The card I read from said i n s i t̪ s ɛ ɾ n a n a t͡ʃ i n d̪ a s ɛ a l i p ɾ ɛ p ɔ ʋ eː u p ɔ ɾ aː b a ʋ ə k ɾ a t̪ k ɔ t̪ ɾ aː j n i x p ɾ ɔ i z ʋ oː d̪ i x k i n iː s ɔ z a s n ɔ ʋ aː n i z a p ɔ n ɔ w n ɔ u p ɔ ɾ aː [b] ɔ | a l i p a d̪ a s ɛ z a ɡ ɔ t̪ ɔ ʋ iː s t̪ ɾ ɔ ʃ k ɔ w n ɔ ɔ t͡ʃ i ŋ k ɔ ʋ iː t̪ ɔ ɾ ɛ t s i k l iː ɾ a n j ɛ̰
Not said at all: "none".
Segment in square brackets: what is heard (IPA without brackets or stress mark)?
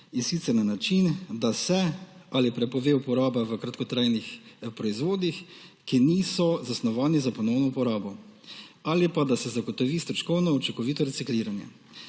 b